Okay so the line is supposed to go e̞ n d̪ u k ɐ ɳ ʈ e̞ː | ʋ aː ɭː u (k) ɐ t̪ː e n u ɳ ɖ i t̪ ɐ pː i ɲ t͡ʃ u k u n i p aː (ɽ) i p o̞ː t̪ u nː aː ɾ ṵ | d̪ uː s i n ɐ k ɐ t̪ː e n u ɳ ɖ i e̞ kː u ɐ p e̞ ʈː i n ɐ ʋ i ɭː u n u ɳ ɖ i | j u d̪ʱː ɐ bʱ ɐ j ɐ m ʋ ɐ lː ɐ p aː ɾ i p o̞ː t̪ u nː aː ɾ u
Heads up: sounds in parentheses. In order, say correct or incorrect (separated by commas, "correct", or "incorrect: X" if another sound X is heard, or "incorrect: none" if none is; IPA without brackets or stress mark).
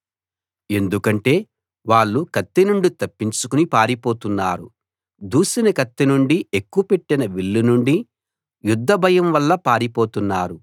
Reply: correct, incorrect: ɾ